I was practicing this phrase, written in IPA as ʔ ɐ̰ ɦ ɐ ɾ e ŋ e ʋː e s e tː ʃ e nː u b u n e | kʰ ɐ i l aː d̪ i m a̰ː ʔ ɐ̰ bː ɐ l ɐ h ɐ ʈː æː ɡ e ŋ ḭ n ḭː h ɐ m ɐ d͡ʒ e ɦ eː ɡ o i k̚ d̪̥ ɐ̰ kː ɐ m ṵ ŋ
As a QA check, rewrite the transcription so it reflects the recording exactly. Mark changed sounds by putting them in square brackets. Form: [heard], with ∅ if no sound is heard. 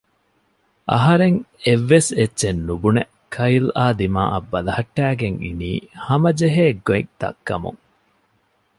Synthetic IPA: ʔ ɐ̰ ɦ ɐ ɾ e ŋ e ʋː e s e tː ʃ e nː u b u n e | kʰ ɐ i l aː d̪ i m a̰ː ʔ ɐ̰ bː ɐ l ɐ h ɐ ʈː æː ɡ e ŋ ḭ n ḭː h ɐ m ɐ d͡ʒ e ɦ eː ɡ o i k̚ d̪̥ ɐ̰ kː ɐ m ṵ ŋ